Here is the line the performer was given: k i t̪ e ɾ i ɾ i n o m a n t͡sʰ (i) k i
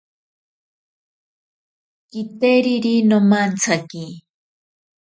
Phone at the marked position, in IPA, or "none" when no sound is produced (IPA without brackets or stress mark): a